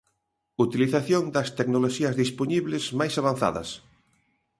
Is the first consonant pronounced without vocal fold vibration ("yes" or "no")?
yes